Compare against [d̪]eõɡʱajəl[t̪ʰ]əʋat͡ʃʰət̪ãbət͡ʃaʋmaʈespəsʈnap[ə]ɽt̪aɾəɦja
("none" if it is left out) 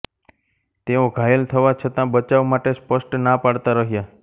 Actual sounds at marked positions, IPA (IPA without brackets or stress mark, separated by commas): t̪, t̪ʰ, a